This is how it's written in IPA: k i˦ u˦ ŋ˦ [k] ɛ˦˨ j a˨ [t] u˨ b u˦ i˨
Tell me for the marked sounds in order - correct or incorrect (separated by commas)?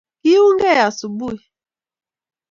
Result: incorrect, incorrect